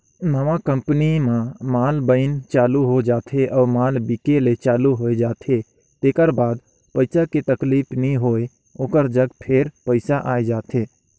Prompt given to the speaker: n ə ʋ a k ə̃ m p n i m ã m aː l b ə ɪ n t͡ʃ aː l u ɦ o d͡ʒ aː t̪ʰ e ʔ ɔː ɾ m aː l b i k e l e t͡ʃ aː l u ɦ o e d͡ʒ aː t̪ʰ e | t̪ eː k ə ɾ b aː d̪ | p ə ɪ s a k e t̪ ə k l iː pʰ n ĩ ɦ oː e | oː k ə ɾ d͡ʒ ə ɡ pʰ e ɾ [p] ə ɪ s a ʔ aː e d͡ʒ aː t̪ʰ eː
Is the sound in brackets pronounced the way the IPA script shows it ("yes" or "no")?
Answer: yes